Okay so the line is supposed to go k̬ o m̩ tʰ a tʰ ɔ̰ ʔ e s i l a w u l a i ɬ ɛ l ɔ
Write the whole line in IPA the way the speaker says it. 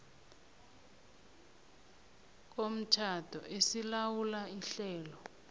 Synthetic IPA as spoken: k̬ o m̩ tʰ a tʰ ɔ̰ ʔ e s i l a w u l a i ɬ ɛː l ɔ

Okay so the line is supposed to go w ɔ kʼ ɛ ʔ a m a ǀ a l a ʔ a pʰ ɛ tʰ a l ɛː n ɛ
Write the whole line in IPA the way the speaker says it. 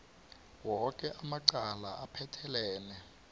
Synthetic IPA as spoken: w ɔ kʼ ɛ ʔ a m a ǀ a l a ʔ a pʰ ɛ tʰ ɛ l ɛː n ɛ

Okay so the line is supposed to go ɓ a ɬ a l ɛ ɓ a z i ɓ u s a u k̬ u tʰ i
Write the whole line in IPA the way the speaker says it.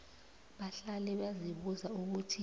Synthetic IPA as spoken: ɓ a ɬ a l ɛ ɓ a z i ɓ u z a u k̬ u tʰ i

